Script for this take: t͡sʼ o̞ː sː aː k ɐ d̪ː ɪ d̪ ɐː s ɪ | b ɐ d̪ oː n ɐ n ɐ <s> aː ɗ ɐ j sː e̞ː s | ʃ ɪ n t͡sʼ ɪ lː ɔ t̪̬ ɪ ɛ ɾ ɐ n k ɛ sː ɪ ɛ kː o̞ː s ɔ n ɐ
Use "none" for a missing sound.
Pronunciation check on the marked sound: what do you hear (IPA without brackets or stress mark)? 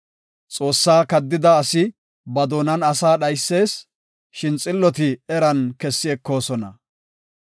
s